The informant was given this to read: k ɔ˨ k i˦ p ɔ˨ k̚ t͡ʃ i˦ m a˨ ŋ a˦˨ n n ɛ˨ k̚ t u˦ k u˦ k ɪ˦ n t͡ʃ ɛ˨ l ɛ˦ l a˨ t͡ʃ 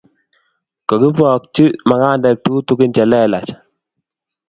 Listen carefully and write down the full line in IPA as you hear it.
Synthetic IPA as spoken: k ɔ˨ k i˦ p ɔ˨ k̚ t͡ʃ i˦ m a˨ ŋ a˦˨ n d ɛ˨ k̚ t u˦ t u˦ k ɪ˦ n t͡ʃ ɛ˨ l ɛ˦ l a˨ t͡ʃ